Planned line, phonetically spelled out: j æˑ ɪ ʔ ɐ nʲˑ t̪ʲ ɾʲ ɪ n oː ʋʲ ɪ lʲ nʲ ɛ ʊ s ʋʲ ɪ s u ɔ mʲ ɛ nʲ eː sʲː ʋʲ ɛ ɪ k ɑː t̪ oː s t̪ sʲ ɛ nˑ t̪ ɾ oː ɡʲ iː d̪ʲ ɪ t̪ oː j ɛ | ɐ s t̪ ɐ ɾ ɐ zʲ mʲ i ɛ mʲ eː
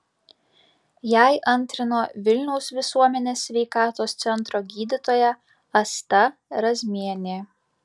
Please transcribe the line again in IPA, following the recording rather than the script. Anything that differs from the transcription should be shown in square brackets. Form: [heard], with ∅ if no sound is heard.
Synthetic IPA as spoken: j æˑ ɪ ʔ ɐ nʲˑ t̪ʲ ɾʲ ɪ n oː ʋʲ ɪ lʲ nʲ ɛ ʊ s ʋʲ ɪ s u ɔ mʲ ɛ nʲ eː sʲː ʋʲ ɛ ɪ k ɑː t̪ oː s t̪ sʲ ɛ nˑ t̪ ɾ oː ɡʲ iː d̪ʲ ɪ t̪ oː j ɛ | ɐ s t̪ ɐ ɾ ɐ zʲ mʲ i ɛ [nʲ] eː